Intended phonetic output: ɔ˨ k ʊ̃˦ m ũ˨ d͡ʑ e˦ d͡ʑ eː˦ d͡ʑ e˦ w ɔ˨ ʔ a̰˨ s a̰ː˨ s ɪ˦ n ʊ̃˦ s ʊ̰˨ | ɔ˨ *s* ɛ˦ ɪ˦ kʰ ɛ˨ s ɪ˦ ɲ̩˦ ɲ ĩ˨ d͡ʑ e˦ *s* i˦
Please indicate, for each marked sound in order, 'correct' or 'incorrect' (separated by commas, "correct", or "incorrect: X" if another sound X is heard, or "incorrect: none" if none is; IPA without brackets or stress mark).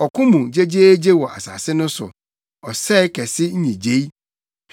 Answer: correct, incorrect: none